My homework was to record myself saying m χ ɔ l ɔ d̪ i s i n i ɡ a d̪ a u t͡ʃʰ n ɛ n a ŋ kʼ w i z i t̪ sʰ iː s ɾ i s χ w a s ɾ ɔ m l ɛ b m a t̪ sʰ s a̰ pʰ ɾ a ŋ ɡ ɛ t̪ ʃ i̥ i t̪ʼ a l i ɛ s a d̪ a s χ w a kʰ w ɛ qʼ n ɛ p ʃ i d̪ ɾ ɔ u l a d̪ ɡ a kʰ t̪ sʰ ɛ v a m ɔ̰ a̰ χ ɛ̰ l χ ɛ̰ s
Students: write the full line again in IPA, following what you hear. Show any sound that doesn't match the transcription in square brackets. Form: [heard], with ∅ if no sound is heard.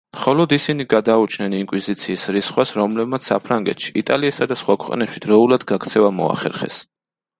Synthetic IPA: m χ ɔ l ɔ d̪ i s i n i ɡ a d̪ a u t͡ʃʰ n ɛ n [i] ŋ kʼ w i z i t̪ sʰ iː s ɾ i s χ w a s ɾ ɔ m l ɛ b m a t̪ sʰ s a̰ pʰ ɾ a ŋ ɡ ɛ t̪ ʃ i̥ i t̪ʼ a l i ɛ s a d̪ a s χ w a kʰ w ɛ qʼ n ɛ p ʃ i d̪ ɾ ɔ u l a d̪ ɡ a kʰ t̪ sʰ ɛ v a m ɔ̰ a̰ χ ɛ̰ [ɾ] χ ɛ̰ s